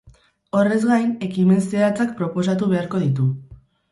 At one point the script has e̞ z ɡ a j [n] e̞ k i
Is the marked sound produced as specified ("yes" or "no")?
yes